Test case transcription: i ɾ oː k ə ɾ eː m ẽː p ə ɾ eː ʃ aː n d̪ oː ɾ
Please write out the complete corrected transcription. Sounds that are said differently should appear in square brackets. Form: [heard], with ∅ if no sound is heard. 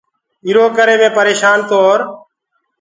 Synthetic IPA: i ɾ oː k ə ɾ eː m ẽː p ə ɾ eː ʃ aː n [t̪] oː ɾ